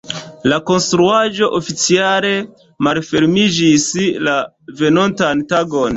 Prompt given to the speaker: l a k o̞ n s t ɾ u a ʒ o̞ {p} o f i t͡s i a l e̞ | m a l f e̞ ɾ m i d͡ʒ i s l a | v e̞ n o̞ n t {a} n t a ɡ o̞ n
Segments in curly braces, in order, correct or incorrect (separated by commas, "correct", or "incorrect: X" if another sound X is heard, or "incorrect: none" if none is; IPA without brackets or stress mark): incorrect: ʔ, correct